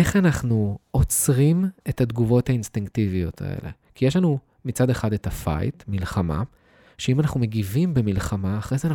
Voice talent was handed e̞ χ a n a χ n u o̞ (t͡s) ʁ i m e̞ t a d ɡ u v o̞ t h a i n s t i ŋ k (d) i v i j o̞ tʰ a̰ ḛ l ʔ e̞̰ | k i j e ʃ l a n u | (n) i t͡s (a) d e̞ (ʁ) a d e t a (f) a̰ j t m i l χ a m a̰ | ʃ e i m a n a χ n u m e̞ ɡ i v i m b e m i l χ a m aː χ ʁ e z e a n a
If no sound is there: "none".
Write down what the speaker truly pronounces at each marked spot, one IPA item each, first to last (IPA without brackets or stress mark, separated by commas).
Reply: t͡s, t, m, a, χ, f